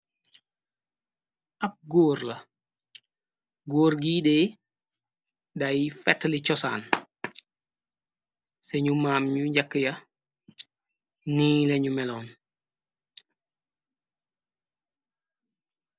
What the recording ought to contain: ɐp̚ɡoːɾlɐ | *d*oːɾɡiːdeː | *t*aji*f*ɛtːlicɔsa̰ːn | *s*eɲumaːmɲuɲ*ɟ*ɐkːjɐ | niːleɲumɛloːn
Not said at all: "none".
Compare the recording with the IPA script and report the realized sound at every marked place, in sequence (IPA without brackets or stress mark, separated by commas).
ɡ, d, f, s, ɟ